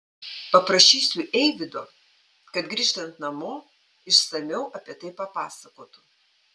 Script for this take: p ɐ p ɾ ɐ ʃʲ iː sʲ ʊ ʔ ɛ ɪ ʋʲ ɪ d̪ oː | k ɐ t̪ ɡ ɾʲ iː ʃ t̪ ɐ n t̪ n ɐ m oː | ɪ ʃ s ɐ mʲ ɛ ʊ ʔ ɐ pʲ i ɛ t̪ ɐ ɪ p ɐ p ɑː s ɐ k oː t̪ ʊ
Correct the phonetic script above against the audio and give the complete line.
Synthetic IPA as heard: p ɐ p ɾ ɐ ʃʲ iː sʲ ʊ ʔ ɛ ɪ ʋʲ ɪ d̪ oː | k ɐ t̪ ɡ ɾʲ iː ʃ t̪ ɐ n t̪ n ɐ m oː | ɪ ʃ s ɐ mʲ ɛ ʊ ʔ ɐ pʲ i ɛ t̪ ɐ ɪ p ɐ p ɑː s ɐ k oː t̪ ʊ